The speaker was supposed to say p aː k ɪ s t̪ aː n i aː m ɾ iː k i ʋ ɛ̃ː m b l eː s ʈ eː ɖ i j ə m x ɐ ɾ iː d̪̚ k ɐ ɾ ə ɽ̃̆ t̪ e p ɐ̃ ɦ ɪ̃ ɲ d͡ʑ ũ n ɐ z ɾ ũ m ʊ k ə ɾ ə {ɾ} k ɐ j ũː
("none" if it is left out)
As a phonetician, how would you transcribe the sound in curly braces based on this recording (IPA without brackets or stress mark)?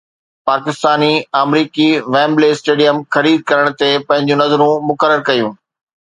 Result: ɾ